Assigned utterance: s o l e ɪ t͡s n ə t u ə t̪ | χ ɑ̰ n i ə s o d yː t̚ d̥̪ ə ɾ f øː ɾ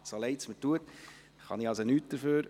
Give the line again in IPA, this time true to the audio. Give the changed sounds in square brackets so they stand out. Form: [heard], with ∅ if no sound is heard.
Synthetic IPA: s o l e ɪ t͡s [m] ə t u ə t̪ | χ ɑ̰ n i [ɑ] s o [n] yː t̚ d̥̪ ə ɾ f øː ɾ